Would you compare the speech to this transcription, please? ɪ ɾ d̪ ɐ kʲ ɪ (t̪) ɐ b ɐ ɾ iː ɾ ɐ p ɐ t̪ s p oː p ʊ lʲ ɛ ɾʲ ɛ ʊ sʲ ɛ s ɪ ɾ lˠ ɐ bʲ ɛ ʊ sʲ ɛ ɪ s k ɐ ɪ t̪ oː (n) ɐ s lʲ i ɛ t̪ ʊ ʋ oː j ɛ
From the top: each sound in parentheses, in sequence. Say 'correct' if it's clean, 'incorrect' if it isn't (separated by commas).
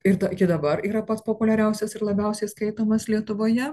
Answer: incorrect, incorrect